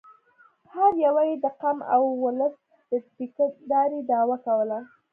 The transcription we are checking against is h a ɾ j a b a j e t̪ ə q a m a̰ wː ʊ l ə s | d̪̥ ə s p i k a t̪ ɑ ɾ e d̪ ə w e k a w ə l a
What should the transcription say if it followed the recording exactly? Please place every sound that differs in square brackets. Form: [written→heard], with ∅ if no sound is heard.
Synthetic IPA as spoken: h a ɾ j a [b→w] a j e [t̪→d̪] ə q a m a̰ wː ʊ l ə s | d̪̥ ə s p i k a [t̪→d̪] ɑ ɾ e d̪ [ə→ɑ] w [e→a] k a w ə l a